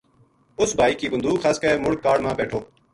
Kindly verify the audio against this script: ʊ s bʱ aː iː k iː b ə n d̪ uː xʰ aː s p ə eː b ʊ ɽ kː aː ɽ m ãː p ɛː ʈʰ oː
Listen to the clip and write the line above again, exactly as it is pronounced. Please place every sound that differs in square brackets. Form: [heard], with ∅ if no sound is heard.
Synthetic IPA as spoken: ʊ s bʱ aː iː k iː b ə n d̪ uː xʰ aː s [k] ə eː [m] ʊ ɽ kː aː ɽ m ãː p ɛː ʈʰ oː